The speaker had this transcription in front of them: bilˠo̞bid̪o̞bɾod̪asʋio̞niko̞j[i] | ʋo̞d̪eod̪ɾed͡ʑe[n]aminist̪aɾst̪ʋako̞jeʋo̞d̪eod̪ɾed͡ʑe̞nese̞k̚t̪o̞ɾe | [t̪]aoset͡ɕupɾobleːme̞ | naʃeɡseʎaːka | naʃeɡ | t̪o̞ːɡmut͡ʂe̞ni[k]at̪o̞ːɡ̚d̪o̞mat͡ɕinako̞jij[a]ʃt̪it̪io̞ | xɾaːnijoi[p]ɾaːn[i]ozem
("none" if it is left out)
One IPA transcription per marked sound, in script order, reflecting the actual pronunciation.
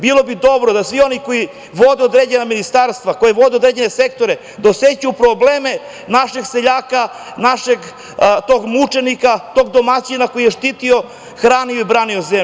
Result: i, n, d̪, k, e, b, i

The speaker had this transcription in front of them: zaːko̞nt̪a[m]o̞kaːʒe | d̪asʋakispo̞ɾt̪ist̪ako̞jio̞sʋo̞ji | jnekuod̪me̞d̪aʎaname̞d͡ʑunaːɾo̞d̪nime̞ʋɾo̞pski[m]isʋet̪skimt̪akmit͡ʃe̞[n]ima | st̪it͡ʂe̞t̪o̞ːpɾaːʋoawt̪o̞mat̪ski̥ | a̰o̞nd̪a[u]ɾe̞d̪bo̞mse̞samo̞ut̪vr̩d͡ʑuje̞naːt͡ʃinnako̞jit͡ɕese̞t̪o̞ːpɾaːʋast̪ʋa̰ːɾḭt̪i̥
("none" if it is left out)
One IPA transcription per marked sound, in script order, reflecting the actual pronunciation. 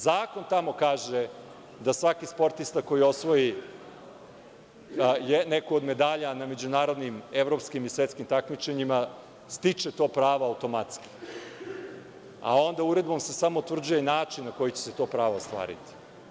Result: m, m, ɲ, u

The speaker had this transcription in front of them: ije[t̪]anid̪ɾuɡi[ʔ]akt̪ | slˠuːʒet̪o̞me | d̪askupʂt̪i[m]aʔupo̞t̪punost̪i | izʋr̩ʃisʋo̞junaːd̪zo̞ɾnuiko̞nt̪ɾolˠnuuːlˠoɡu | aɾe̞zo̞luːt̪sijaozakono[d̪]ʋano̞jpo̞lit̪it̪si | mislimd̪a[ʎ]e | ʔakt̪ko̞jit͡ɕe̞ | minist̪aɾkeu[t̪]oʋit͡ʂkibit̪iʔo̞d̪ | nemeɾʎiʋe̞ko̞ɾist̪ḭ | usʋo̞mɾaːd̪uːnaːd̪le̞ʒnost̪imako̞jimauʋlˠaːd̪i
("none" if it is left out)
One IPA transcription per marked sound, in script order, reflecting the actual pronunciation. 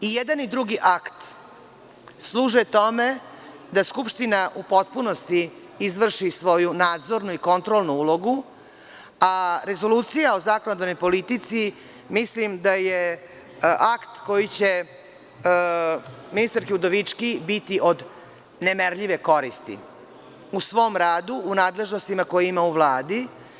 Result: d̪, ʔ, n, d̪, j, d̪

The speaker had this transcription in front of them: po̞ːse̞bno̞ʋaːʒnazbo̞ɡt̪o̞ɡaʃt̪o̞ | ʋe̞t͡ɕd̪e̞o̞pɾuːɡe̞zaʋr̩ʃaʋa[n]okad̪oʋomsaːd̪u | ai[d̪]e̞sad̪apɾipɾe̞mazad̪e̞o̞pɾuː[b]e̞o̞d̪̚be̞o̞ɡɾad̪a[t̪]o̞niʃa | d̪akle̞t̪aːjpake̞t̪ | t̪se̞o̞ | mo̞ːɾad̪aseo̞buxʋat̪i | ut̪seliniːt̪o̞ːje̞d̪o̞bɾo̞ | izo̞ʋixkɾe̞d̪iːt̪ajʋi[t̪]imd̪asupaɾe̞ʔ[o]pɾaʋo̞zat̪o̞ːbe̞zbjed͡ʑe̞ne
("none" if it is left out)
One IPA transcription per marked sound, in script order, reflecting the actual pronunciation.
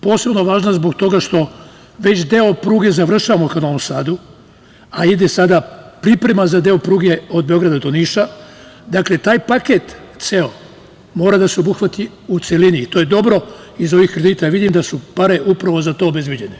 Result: m, d̪, ɡ, d̪, d̪, u

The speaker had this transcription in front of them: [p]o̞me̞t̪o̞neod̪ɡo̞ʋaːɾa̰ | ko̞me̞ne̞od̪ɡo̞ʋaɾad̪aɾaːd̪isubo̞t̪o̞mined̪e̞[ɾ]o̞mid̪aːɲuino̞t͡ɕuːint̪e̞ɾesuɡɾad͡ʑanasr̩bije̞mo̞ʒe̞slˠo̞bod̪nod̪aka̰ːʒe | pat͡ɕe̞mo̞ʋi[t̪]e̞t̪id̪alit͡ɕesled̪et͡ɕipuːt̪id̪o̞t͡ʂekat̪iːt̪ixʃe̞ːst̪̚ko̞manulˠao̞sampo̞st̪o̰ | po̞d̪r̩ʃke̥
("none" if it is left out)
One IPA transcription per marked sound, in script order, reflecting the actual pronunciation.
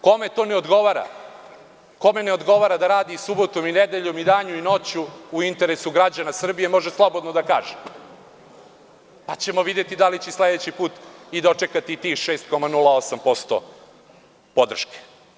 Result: k, ʎ, d̪

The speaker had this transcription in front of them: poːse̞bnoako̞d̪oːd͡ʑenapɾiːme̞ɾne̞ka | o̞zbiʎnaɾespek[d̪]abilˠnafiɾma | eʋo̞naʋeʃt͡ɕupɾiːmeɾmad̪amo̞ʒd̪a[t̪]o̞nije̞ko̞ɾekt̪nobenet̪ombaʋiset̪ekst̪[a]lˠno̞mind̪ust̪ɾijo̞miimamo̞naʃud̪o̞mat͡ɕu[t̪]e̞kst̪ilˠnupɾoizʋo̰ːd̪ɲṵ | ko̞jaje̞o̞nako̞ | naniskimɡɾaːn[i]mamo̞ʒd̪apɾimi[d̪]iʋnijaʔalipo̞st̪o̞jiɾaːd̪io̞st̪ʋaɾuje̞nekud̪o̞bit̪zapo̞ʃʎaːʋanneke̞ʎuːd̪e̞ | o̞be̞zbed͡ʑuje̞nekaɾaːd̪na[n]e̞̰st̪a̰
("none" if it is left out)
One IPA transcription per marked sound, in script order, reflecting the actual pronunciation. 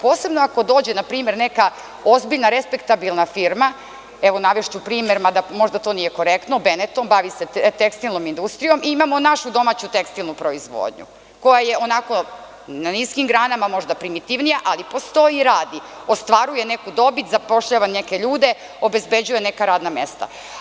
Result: t̪, t̪, i, t̪, a, t̪, m

